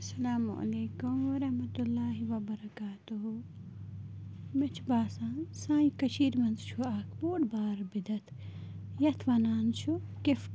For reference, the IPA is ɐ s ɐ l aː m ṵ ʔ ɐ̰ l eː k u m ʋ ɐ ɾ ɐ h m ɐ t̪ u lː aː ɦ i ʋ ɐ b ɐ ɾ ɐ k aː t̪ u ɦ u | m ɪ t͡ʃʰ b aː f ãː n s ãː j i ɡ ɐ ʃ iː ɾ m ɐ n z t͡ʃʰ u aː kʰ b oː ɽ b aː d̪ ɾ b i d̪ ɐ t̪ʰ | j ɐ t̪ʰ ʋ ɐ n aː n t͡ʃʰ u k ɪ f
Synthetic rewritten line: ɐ s ɐ l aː m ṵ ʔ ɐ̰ l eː k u m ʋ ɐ ɾ ɐ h m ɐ t̪ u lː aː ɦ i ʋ ɐ b ɐ ɾ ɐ k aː t̪ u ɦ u | m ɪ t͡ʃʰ b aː s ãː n s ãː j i k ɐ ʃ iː ɾ m ɐ n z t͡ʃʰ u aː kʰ b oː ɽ b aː ɾ b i d̪ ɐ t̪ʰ | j ɐ t̪ʰ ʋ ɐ n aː n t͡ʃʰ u k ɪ f